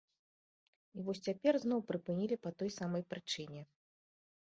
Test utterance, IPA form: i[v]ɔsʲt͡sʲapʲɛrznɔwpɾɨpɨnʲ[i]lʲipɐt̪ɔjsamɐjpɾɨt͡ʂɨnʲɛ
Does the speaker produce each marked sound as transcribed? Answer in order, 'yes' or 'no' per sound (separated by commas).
yes, yes